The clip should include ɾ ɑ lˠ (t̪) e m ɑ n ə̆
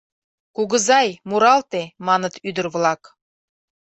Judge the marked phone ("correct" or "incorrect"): correct